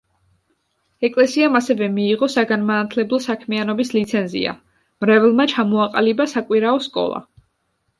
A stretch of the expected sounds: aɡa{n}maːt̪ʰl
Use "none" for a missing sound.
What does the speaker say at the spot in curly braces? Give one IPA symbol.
n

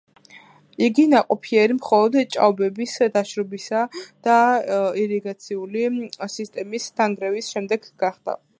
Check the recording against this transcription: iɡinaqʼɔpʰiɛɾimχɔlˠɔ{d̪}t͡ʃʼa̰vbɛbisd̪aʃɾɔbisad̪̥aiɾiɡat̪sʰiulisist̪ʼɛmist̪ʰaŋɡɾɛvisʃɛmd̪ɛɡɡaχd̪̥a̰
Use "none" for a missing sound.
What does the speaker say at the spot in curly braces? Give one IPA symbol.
d̪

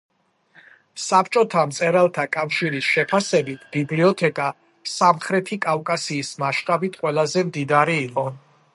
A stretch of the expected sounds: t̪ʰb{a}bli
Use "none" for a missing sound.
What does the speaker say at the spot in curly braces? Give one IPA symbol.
i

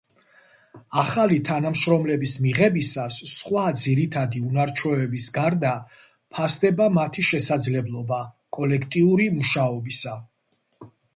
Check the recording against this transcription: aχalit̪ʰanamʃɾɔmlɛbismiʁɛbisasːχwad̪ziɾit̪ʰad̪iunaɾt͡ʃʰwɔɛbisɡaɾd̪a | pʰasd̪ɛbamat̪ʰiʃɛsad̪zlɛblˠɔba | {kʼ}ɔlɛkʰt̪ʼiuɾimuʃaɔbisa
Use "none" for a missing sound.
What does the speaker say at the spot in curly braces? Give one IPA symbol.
kʼ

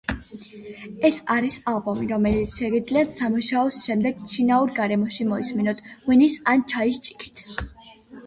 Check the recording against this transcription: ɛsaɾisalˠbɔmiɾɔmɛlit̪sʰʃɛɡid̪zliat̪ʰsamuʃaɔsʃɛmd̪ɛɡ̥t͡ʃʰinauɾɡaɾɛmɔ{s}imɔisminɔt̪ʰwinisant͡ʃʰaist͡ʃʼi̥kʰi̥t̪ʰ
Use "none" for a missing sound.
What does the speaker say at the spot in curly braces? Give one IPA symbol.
ʃ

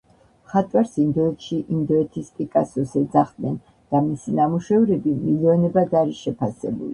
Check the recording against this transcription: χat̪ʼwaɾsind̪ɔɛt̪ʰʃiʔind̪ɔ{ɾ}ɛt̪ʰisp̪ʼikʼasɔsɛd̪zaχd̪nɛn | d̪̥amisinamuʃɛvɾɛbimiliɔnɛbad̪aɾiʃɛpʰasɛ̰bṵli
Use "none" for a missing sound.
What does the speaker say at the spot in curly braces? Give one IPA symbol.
none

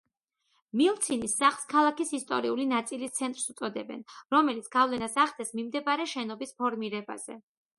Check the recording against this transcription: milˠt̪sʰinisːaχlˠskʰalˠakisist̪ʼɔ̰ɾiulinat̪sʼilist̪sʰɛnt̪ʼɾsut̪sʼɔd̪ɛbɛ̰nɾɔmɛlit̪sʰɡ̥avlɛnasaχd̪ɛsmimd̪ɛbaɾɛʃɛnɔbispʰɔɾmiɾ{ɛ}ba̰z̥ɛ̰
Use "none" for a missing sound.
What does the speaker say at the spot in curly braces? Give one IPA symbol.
ɛ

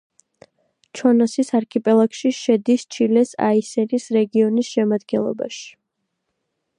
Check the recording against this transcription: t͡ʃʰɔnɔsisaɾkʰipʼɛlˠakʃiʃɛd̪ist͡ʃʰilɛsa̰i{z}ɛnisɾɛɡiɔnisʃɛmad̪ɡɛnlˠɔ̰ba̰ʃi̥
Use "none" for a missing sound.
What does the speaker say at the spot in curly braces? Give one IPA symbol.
s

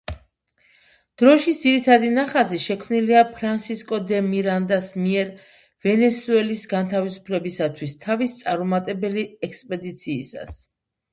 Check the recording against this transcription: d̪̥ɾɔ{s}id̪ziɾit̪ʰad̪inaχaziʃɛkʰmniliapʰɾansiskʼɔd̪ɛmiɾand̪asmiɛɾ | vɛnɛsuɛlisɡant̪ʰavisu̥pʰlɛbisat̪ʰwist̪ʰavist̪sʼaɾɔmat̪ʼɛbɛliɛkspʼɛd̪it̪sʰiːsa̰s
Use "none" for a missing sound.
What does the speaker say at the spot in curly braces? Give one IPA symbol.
ʃ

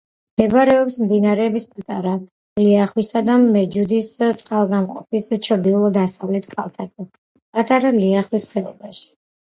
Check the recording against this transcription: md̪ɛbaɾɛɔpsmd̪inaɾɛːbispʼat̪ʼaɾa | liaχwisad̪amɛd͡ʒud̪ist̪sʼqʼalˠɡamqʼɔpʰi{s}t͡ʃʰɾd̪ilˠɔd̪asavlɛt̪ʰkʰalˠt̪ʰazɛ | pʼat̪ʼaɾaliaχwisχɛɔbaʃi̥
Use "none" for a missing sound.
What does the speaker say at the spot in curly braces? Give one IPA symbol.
s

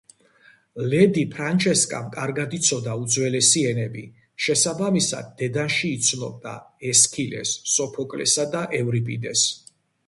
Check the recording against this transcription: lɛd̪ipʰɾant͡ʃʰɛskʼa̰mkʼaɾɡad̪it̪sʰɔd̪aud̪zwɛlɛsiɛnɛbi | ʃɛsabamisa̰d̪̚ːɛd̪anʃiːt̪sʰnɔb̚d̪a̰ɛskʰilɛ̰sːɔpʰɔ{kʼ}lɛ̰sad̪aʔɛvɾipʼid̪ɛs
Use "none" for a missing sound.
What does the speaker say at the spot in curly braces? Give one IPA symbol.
kʼ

